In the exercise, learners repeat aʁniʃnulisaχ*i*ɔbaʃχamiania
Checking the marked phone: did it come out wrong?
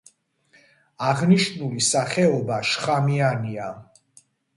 yes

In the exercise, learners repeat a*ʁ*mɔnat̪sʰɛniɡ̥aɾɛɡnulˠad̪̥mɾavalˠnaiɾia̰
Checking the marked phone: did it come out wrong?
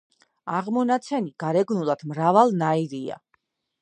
no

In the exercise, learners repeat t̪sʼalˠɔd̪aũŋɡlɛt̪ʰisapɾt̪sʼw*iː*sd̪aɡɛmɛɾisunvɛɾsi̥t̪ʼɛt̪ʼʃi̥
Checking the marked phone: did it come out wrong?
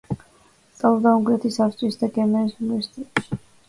yes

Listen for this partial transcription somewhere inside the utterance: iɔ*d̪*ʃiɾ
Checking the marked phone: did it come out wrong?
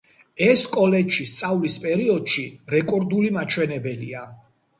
no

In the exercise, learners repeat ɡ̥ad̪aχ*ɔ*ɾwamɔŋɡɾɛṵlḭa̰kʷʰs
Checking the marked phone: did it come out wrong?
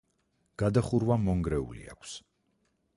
yes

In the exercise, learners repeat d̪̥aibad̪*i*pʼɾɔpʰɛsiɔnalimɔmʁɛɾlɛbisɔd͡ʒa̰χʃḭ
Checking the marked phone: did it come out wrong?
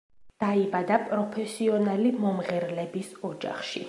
yes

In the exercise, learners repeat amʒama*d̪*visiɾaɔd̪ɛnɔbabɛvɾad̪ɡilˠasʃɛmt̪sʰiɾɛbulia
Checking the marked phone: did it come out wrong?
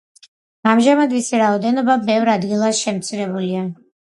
no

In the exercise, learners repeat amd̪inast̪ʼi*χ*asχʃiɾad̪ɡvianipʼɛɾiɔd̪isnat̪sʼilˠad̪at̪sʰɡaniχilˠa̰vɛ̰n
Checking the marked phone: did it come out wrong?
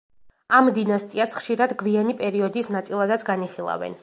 yes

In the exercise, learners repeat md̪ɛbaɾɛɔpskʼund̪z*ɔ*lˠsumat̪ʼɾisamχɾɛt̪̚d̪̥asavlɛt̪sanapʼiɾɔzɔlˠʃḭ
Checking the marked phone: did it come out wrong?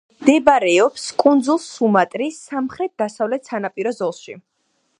yes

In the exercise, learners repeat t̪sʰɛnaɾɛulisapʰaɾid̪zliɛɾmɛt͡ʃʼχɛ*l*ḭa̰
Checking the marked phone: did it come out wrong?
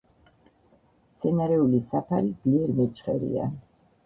yes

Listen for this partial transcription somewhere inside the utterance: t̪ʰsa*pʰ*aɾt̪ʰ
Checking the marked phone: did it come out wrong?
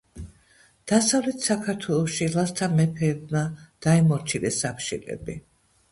yes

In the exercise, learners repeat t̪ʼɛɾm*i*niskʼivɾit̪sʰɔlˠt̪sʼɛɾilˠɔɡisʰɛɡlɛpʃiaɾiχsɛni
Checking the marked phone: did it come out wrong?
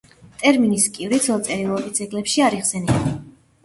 no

